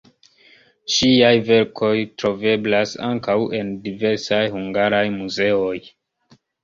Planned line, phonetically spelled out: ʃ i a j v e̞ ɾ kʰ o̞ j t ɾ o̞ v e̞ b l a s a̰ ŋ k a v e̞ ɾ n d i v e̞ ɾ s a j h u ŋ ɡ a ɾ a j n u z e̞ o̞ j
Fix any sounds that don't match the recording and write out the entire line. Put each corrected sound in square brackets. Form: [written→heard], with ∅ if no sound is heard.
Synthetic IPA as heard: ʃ i a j v e̞ ɾ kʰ o̞ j t ɾ o̞ v e̞ b l a s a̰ ŋ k a [v→w] e̞ [ɾ→∅] n d i v e̞ ɾ s a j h u ŋ ɡ a ɾ a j [n→m] u z e̞ o̞ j